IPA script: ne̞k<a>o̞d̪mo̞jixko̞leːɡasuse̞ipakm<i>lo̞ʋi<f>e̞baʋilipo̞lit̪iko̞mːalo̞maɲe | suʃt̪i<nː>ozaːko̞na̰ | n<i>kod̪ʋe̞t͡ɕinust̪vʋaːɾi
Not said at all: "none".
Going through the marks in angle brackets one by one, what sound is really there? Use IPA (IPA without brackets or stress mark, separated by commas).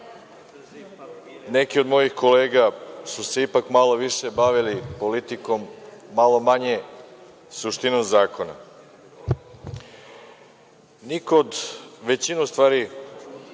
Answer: i, a, ʃ, n, i